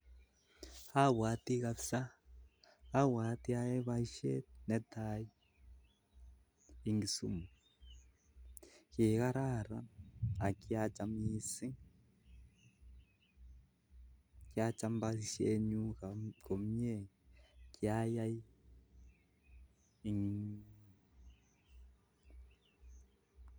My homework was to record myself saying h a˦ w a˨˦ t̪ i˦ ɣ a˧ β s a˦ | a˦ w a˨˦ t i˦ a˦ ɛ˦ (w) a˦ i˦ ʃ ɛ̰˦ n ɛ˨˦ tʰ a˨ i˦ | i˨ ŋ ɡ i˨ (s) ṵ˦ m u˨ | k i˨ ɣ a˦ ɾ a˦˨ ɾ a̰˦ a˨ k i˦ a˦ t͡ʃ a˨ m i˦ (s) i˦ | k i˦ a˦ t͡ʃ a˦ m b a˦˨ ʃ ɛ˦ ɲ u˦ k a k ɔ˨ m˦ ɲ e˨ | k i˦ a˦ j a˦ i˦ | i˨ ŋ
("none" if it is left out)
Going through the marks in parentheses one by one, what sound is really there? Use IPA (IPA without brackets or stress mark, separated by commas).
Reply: β, s, s